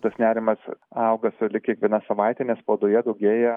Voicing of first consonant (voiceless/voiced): voiceless